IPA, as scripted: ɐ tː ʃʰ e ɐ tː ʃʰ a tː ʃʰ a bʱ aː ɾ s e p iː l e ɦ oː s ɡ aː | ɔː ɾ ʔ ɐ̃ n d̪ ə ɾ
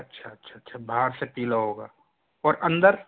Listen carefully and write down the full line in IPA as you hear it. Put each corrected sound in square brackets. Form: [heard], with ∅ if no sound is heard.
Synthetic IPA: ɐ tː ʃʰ [a] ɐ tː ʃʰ a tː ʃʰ a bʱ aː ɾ s e p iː l [a] ɦ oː [∅] ɡ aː | ɔː ɾ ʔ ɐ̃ n d̪ ə ɾ